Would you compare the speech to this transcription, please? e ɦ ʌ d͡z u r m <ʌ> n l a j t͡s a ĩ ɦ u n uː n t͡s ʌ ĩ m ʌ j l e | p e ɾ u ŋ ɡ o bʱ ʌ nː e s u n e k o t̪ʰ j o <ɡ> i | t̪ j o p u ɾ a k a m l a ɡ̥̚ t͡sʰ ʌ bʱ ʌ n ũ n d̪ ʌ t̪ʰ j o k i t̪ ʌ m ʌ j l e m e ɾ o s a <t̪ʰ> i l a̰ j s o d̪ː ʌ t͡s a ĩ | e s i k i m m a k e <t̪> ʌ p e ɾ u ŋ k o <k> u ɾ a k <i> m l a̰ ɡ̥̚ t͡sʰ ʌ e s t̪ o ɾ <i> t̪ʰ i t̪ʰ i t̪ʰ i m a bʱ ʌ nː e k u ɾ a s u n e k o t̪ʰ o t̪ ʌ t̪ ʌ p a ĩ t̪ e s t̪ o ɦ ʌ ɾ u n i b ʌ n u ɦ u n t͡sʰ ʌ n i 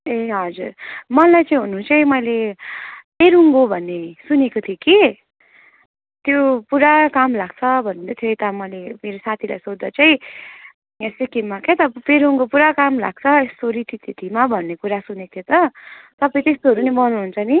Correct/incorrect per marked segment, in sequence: correct, incorrect: k, correct, correct, incorrect: p, incorrect: a, correct

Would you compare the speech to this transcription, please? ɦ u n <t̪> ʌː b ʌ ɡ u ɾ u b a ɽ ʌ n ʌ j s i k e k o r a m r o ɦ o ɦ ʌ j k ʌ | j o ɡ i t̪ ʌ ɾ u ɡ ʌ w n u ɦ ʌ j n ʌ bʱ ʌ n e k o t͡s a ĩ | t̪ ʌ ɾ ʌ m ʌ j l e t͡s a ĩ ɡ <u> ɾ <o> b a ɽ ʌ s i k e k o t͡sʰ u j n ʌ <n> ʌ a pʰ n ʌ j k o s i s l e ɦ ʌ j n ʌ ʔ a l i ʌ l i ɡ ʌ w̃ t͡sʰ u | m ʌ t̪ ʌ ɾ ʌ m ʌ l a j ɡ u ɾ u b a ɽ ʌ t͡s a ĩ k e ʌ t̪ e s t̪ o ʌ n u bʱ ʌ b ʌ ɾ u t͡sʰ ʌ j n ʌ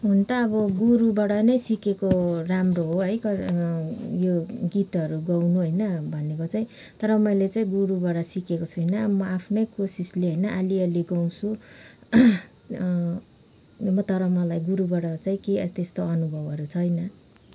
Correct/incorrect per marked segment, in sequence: correct, correct, incorrect: u, incorrect: m

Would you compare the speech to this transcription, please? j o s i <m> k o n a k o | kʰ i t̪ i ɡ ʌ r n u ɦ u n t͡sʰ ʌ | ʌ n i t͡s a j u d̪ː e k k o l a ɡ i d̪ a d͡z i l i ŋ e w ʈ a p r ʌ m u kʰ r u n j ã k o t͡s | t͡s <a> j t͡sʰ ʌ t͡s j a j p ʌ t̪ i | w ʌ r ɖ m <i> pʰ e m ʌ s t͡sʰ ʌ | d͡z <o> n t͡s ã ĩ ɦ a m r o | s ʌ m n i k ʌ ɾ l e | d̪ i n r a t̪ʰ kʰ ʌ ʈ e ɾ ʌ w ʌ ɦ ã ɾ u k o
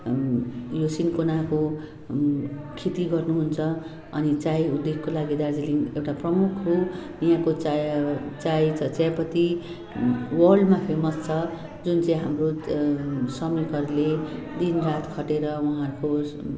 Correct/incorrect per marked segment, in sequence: incorrect: n, correct, incorrect: a, incorrect: u

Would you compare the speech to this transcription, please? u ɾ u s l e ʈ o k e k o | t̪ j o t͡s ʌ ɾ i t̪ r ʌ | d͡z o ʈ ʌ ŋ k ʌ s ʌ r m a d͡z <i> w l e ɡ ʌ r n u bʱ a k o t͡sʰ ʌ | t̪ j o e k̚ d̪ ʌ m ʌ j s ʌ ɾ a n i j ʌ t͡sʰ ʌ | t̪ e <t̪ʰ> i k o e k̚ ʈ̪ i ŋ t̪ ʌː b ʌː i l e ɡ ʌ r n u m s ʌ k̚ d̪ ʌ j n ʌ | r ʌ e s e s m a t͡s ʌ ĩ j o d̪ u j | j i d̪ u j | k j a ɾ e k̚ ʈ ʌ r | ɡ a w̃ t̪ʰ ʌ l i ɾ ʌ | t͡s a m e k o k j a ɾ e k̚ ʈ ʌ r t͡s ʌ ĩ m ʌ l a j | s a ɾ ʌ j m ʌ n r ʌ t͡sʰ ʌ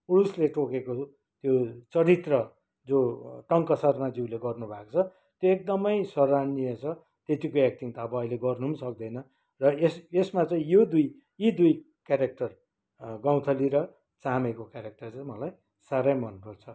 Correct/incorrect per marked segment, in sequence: correct, incorrect: t̪

